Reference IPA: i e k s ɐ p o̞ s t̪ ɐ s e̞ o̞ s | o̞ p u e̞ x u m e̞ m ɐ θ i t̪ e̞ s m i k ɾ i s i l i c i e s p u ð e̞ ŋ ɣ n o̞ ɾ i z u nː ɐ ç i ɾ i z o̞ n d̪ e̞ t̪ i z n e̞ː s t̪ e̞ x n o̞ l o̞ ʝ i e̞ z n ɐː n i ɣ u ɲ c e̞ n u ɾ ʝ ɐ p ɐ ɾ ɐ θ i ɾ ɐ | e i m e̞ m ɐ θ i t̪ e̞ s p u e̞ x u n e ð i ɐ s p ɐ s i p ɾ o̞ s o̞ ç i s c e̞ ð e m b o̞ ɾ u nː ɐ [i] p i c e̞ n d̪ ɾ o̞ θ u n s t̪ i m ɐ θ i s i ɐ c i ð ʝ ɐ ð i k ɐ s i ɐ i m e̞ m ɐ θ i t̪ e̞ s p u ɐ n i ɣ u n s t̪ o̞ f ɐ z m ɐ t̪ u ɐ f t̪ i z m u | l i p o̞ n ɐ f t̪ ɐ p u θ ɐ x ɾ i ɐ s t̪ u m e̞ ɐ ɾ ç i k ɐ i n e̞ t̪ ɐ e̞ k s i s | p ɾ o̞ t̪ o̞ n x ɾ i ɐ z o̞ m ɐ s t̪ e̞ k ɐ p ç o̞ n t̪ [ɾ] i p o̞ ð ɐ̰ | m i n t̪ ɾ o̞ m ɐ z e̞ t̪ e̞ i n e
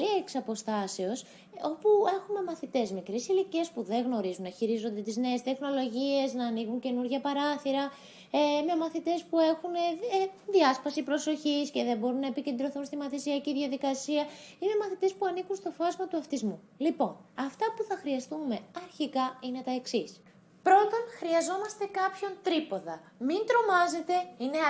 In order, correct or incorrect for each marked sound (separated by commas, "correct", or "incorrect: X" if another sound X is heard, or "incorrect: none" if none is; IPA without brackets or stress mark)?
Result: incorrect: e, correct